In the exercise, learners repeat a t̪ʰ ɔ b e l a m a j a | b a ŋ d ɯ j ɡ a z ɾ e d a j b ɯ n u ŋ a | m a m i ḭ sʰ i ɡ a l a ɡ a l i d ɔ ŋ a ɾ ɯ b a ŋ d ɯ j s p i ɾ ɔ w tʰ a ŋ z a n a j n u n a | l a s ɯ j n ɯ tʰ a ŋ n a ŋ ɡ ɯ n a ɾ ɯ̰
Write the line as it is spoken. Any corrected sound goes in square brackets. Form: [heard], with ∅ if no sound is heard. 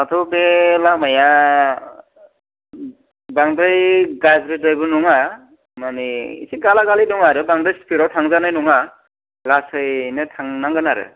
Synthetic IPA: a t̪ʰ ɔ b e l a m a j a | b a ŋ d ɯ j ɡ a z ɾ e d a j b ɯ n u ŋ a | m a [n] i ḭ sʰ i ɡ a l a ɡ a l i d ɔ ŋ a ɾ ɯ b a ŋ d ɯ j s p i ɾ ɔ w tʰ a ŋ z a n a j n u [ŋ] a | l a s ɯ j n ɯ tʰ a ŋ n a ŋ ɡ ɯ n a ɾ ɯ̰